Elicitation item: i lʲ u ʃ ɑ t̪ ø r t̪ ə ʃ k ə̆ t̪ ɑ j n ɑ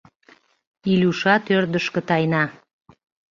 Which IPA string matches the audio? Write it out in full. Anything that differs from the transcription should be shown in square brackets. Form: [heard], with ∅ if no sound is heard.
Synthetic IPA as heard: i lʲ u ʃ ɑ t̪ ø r [d̪] ə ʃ k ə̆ t̪ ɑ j n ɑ